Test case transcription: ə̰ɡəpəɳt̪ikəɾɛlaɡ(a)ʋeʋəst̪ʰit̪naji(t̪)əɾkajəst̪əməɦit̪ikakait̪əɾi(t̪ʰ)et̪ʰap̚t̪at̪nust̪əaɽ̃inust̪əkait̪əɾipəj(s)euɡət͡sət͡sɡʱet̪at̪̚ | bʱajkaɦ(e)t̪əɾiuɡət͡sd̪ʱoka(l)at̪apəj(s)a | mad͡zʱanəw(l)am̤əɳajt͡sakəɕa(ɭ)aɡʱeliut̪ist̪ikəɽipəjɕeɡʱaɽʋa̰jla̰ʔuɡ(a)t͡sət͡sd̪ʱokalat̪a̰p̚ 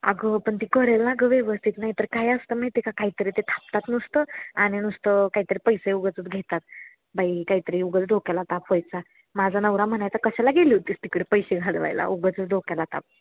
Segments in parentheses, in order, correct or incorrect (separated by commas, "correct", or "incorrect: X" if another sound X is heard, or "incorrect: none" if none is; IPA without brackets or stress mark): incorrect: ə, correct, incorrect: t̪, correct, incorrect: i, correct, incorrect: t͡s, incorrect: ɾ, incorrect: l, incorrect: ə